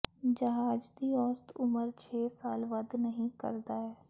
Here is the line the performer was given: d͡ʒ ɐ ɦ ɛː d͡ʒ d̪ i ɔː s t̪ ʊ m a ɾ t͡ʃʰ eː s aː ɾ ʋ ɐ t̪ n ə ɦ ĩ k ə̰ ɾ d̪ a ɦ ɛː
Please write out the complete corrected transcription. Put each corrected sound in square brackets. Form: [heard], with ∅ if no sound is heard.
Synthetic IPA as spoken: d͡ʒ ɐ ɦ [aː] d͡ʒ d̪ i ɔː s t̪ ʊ m [ə] ɾ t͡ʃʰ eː s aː [l] ʋ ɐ [d̪] n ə ɦ ĩ k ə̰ ɾ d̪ a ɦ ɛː